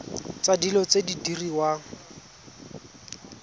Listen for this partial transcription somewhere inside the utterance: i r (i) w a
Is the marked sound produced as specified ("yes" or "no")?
yes